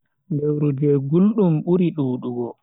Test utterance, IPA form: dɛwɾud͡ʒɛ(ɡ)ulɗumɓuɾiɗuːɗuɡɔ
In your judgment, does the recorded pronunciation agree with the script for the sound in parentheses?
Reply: yes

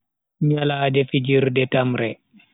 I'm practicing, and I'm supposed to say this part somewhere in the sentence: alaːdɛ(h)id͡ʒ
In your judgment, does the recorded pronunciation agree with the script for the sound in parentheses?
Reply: no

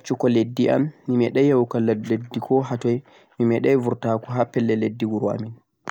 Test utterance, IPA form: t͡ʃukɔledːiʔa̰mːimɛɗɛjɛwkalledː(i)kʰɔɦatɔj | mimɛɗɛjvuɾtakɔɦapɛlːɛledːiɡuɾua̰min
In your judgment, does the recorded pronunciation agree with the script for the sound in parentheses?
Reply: yes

